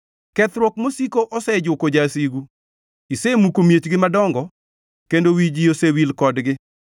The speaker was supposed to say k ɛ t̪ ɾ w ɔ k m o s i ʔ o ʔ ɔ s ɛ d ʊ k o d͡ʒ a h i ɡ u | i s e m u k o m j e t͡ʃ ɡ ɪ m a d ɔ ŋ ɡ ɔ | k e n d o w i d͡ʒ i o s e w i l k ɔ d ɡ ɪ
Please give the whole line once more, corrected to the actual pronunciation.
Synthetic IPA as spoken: k ɛ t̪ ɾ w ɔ k m o s i k o ʔ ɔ s ɛ d͡ʒ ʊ k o d͡ʒ a s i ɡ u | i s e m u k o m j e t͡ʃ ɡ ɪ m a d ɔ ŋ ɡ ɔ | k e n d o w i d͡ʒ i o s e w i l k ɔ d ɡ ɪ